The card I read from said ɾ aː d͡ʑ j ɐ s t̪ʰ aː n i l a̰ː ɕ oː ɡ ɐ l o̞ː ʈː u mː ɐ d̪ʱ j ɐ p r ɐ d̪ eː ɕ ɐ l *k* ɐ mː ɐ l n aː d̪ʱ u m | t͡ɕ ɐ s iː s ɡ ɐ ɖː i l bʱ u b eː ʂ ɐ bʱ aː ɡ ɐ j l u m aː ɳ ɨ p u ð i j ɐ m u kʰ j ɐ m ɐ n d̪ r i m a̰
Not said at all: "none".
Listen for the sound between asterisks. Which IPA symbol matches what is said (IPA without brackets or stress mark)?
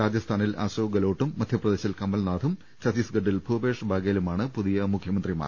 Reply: k